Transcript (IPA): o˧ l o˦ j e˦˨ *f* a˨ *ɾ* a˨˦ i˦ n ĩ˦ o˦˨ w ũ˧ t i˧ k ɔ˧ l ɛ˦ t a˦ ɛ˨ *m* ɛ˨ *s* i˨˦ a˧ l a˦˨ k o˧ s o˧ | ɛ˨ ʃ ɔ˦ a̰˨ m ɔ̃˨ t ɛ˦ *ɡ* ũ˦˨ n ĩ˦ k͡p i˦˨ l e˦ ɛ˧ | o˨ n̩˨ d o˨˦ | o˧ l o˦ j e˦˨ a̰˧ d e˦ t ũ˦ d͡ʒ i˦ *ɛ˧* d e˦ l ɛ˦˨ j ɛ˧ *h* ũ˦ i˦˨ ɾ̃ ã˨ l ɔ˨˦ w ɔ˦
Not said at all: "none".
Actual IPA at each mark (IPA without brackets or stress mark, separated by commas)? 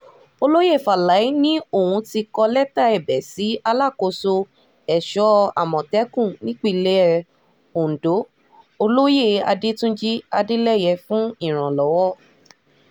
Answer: f, l, b, s, k, a˧, f